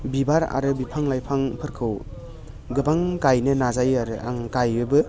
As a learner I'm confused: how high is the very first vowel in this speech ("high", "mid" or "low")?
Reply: high